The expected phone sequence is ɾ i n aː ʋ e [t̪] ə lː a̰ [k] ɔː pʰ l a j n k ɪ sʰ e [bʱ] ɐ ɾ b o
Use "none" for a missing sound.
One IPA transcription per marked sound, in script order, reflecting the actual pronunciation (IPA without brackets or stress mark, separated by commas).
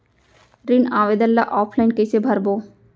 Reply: d̪, ʔ, bʱ